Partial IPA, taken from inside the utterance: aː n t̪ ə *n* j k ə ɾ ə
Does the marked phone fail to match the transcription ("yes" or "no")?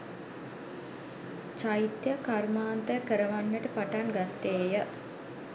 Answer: yes